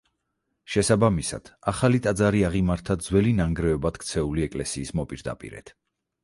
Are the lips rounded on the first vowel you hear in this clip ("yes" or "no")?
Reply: no